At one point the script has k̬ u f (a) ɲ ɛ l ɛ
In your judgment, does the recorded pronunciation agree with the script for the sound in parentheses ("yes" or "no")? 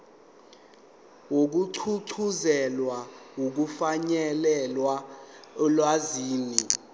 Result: yes